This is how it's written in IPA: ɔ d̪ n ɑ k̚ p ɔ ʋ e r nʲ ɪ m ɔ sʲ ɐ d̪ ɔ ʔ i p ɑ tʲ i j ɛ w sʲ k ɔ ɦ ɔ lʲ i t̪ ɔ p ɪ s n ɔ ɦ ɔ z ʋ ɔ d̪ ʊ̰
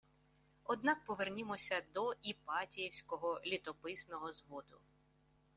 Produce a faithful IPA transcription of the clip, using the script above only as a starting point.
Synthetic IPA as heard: ɔ d̪ n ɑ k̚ p ɔ ʋ e r nʲ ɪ m ɔ sʲ ɐ d̪ ɔ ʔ i p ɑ tʲ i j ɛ w sʲ k ɔ ɦ ɔ lʲ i t̪ ɔ p ɪ s n ɔ ɦ ɔ z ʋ ɔ d̪ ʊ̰